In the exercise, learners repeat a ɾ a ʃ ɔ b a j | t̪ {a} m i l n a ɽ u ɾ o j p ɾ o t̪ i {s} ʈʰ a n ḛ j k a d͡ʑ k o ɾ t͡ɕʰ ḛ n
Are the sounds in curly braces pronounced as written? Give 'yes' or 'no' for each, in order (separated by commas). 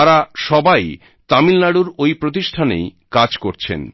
yes, no